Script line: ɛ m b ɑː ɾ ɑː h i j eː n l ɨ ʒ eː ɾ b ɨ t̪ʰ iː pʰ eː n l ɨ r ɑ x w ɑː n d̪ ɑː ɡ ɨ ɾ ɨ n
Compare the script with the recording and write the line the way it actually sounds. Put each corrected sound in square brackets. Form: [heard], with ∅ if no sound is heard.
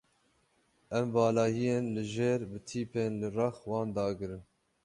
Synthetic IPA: ɛ m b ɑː [l] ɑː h i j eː n l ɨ ʒ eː ɾ b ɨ t̪ʰ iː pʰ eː n l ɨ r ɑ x w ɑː n d̪ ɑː ɡ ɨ ɾ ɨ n